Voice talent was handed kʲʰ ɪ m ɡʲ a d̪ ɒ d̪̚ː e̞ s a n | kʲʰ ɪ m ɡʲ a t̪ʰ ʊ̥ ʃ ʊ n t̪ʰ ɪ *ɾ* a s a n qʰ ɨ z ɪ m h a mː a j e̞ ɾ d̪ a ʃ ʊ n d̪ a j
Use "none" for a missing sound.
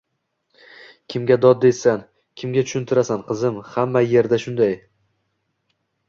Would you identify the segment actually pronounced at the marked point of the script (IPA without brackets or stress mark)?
ɾ